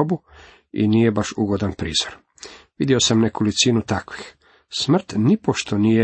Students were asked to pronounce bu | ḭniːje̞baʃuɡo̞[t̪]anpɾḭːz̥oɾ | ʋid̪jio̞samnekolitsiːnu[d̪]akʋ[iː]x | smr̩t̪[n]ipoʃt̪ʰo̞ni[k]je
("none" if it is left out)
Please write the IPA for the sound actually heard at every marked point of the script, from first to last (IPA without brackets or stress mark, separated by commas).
d̪, t̪, i, n, none